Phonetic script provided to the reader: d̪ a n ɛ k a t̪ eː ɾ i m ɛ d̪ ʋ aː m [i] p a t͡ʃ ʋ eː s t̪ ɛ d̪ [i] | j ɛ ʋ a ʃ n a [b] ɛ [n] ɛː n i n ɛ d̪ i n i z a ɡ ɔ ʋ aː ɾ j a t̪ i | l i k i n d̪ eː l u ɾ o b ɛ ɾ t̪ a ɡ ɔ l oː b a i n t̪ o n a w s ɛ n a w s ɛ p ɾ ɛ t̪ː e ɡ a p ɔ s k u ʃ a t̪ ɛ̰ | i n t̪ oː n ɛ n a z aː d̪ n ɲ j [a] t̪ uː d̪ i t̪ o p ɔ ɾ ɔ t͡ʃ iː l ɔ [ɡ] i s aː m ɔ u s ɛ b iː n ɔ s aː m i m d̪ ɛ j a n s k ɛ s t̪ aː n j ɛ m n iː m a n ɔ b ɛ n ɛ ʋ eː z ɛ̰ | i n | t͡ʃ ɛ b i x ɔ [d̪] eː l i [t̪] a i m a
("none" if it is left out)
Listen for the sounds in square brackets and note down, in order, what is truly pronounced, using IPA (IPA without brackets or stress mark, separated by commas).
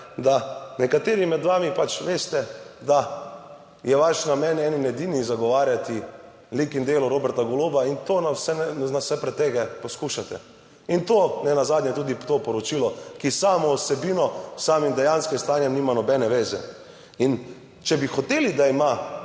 i, a, m, n, ɛ, k, t̪, d̪